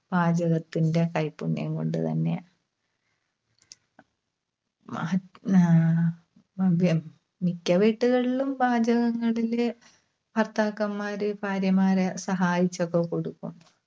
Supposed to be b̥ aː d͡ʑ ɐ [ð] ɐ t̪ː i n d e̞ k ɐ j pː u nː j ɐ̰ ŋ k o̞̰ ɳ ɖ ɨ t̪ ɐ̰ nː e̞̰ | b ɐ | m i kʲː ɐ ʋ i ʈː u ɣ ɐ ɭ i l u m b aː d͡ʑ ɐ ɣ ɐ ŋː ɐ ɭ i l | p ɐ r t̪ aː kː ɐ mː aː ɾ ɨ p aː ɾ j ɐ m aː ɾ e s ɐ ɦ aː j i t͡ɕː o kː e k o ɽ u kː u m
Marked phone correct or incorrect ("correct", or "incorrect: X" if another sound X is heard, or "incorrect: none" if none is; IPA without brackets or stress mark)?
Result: incorrect: ɣ